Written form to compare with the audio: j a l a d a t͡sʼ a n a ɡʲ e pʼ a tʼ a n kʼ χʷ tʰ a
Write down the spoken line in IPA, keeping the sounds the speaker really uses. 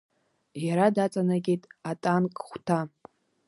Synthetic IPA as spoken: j a ɾ a d a t͡sʼ a n a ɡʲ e tʼ a tʼ a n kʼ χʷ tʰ a